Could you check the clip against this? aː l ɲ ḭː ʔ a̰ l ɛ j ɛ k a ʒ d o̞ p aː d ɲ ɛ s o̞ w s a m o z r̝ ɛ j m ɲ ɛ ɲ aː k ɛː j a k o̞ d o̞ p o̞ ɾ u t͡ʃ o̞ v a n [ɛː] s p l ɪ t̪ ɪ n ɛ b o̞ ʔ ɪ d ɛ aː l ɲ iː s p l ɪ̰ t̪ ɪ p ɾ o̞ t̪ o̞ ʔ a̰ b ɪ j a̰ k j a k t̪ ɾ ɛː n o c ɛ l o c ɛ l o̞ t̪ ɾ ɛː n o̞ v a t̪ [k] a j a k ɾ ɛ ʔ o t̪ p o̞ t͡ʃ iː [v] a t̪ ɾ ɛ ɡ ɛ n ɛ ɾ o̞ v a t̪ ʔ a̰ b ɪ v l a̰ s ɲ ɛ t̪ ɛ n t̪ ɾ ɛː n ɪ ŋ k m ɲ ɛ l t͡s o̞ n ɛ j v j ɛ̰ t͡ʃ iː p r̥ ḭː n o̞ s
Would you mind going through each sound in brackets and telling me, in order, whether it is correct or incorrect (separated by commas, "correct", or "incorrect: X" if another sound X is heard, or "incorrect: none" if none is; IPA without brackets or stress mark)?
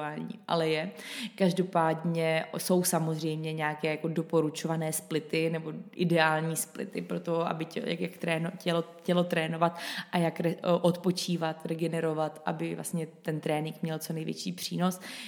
correct, incorrect: ʔ, correct